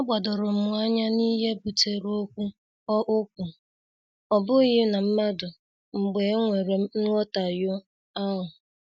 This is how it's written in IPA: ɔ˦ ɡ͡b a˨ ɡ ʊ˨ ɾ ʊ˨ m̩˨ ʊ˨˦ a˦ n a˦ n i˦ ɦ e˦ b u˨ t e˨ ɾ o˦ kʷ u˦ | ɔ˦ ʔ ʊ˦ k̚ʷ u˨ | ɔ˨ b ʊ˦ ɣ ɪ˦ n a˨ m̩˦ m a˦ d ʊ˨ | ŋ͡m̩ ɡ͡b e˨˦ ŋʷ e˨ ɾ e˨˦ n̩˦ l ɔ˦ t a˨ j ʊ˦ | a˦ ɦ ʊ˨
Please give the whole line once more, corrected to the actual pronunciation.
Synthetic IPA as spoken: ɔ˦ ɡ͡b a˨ d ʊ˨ ɾ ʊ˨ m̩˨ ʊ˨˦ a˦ ɲ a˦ n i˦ ɦ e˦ b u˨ t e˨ ɾ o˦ kʷ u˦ | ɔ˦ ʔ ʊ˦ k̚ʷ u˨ | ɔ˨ b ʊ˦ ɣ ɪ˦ n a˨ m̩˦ m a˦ d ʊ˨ | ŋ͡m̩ ɡ͡b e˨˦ ŋʷ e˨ ɾ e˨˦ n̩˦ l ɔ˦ t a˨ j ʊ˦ | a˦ ɦ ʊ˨